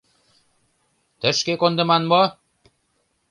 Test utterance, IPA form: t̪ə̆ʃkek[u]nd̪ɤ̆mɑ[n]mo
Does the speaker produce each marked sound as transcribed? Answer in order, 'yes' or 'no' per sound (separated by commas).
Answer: no, yes